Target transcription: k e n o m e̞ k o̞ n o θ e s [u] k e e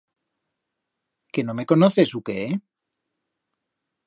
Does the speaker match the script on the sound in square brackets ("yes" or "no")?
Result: yes